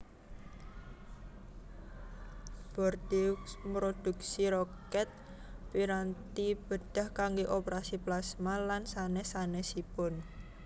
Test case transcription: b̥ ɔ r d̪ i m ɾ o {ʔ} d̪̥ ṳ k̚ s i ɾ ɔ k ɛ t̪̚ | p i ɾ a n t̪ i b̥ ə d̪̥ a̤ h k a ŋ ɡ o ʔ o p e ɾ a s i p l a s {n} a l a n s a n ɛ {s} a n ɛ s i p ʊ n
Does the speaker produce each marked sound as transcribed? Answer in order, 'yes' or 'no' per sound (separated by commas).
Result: no, no, yes